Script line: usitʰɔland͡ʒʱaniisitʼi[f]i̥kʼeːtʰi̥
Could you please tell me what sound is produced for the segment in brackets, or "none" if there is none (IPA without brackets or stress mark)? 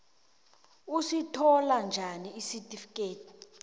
f